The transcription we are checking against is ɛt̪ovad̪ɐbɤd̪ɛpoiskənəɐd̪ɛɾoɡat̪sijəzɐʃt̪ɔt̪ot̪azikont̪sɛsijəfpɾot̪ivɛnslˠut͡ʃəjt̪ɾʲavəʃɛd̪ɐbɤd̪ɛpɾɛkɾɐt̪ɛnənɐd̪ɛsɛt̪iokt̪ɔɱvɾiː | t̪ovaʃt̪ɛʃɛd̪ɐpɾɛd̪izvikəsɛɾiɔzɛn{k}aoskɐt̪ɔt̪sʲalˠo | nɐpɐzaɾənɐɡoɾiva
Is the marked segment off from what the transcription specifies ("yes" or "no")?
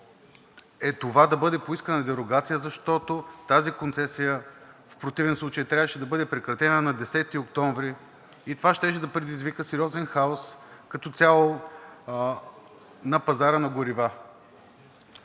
yes